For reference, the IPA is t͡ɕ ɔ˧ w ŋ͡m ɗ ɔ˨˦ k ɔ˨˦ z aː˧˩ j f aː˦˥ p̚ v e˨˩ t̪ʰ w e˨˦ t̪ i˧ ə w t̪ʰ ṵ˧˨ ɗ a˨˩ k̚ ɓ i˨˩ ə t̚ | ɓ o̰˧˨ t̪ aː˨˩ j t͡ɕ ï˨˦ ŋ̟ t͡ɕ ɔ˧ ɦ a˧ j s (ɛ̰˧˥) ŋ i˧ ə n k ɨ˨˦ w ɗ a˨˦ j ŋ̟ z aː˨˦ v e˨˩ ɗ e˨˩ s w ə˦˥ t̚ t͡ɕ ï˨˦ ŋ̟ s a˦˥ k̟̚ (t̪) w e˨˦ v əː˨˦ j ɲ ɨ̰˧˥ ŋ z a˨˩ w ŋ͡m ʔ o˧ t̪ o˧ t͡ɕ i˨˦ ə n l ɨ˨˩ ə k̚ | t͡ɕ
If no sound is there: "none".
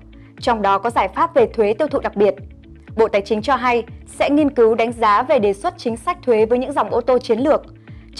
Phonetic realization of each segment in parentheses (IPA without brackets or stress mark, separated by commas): ɛ̰˧˥, t̪ʰ